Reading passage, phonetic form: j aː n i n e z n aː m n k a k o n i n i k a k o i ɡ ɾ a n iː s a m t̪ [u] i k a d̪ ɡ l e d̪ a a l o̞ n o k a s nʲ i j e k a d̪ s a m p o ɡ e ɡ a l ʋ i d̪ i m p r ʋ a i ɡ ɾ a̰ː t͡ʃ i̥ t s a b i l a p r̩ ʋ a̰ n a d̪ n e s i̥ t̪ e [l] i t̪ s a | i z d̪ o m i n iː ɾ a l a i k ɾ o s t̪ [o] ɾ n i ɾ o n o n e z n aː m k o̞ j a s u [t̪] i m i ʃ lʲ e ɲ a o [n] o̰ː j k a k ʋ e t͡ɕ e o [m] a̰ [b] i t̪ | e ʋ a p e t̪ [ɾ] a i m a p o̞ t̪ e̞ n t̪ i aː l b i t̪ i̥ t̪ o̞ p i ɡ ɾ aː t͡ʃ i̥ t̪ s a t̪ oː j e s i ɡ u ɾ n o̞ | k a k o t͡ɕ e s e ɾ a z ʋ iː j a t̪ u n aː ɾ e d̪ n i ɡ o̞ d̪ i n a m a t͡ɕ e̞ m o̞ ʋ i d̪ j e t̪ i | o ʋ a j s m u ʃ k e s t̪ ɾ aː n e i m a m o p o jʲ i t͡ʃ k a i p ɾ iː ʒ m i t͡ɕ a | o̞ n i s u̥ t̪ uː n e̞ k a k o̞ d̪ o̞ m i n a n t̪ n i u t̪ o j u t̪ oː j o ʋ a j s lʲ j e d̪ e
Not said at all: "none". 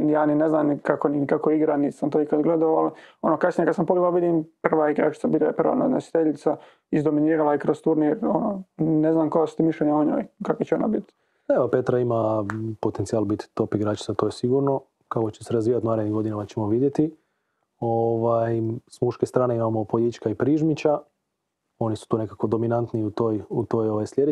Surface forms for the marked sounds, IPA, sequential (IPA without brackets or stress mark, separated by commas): o, ʎ, u, t̪, ɲ, n, b, ɾ